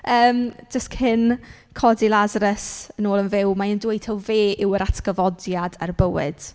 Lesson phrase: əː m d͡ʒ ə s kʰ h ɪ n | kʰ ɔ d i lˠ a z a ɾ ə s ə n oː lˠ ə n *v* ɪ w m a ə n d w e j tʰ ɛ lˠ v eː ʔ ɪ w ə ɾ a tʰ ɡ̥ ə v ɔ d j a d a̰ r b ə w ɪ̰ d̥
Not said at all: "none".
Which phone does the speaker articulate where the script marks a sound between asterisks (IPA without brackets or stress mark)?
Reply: v